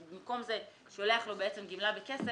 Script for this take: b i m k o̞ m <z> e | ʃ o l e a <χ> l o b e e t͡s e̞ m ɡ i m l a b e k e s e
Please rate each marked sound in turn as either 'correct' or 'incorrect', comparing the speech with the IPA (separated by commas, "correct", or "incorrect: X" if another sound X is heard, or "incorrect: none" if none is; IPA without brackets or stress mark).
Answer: correct, correct